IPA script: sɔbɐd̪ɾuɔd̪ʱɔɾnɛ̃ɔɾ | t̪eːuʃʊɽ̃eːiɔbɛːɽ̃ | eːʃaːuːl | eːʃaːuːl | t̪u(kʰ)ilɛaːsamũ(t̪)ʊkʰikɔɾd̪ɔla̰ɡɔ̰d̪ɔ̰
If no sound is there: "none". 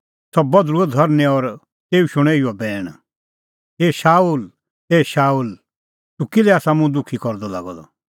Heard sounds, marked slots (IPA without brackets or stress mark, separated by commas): k, d̪